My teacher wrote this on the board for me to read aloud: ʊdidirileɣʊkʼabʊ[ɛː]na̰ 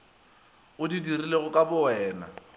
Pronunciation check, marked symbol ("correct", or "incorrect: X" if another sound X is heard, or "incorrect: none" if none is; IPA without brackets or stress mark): correct